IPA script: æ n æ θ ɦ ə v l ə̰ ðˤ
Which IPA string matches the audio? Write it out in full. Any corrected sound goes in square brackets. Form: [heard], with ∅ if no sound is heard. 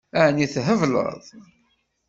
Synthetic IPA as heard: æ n [i] θ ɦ ə v l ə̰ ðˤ